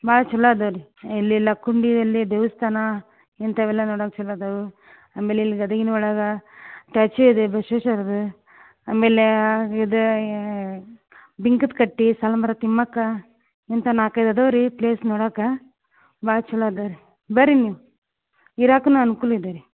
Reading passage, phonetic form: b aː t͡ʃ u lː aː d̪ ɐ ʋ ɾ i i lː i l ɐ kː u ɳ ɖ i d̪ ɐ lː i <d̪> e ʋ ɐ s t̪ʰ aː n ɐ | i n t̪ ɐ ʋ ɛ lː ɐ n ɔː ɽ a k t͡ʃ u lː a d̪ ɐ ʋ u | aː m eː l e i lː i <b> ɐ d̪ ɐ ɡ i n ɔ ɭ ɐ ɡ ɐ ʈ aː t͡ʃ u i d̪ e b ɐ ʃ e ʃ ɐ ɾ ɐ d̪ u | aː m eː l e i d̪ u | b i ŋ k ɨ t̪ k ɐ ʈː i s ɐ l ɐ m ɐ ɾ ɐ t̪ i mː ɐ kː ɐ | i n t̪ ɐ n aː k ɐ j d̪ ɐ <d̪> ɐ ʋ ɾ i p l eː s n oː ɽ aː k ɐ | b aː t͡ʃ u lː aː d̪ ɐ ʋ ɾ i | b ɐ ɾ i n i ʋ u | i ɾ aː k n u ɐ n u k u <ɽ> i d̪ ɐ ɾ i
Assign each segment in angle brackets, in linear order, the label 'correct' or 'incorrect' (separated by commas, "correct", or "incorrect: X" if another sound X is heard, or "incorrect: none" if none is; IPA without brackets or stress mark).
correct, incorrect: ɡ, correct, incorrect: l